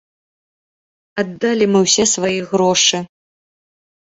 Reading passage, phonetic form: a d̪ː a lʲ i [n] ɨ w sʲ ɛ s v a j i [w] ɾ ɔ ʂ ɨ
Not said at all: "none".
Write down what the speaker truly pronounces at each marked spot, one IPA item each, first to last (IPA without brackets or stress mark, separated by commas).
m, ɣ